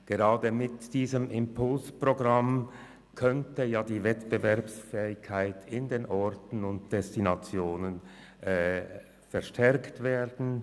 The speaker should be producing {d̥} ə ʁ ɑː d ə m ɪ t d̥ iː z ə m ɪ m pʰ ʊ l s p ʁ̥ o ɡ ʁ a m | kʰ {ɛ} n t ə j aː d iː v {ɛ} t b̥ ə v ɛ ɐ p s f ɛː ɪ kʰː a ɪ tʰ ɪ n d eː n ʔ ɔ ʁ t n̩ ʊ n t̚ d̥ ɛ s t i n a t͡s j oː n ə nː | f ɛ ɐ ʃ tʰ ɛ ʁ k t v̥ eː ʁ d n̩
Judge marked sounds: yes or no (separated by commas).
no, no, yes